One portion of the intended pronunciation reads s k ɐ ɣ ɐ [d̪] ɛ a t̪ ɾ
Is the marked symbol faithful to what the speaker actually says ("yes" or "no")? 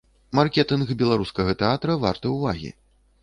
no